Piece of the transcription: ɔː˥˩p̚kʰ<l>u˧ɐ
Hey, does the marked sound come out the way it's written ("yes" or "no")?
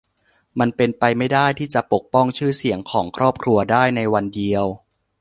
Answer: no